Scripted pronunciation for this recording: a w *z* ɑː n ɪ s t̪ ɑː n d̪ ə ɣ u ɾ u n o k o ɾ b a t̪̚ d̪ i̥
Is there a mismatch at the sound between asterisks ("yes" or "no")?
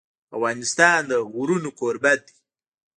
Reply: yes